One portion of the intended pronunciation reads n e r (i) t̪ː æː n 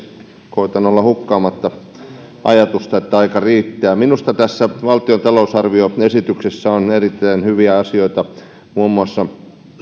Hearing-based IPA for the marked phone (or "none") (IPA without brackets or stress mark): i